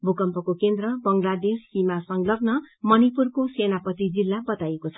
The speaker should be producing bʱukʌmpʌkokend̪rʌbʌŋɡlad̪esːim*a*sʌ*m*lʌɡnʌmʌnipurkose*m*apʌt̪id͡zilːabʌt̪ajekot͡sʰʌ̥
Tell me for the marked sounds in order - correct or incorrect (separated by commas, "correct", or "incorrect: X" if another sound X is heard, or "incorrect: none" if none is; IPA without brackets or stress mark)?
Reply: correct, incorrect: ŋ, incorrect: n